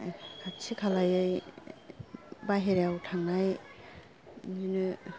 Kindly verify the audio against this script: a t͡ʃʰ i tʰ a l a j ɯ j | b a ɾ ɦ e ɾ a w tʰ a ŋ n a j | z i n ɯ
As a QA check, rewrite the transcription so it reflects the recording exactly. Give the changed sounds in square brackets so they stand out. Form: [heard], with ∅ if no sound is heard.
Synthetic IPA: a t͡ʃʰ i [kʰ] a l a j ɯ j | b a [∅] ɦ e ɾ a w tʰ a ŋ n a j | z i n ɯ